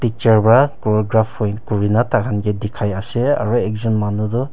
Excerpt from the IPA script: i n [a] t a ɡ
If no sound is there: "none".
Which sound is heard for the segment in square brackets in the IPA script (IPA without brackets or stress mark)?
a